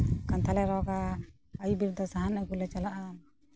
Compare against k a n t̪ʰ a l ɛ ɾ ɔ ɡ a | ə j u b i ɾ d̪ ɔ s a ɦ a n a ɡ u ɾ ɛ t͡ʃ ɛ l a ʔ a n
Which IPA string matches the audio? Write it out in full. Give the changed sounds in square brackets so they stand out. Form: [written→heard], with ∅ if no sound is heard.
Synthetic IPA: k a n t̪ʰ a l ɛ ɾ ɔ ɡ a | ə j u b i ɾ d̪ ɔ s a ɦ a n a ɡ u [ɾ→l] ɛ t͡ʃ [ɛ→a] l a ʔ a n